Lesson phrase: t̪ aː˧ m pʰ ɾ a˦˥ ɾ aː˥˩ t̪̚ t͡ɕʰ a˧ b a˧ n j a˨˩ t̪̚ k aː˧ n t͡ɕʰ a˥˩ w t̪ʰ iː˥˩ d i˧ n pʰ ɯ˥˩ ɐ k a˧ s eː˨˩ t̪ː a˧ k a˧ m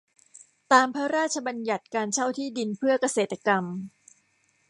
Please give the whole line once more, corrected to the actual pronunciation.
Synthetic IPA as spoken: t̪ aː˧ m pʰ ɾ a˦˥ ɾ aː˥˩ t̪̚ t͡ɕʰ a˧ b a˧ n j a˨˩ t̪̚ k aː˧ n t͡ɕʰ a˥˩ w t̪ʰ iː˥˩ d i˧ n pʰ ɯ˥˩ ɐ k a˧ s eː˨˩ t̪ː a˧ k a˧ m